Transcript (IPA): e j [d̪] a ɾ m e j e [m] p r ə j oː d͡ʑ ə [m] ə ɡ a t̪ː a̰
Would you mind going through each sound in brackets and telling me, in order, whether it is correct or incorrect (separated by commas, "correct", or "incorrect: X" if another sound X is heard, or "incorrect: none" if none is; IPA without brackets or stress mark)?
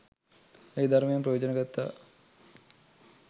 correct, correct, incorrect: n